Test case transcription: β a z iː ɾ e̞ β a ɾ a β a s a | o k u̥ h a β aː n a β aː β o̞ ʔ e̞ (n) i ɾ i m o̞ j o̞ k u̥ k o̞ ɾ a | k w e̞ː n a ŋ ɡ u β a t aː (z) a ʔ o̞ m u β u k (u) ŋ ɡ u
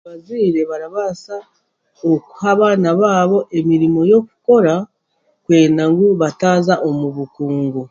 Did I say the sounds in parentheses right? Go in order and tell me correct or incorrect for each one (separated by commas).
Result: incorrect, correct, incorrect